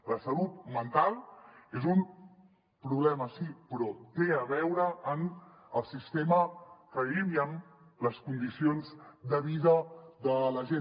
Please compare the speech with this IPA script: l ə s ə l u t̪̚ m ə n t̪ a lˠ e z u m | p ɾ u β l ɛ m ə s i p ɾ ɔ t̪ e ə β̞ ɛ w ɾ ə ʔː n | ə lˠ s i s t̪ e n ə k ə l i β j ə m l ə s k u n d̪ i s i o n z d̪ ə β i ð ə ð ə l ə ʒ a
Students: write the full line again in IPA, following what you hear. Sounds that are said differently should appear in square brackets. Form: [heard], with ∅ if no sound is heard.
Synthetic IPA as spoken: l ə s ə l u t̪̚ m ə n t̪ a lˠ e z u m | p ɾ u β l ɛ m ə s i p ɾ ɔ t̪ e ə β̞ ɛ w ɾ ə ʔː n | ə lˠ s i s t̪ e [m] ə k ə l i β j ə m l ə s k u n d̪ i s i o n z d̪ ə β i ð ə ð ə l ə ʒ [e]